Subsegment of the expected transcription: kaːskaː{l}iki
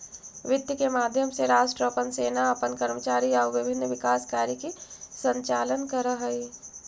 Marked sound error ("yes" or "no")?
yes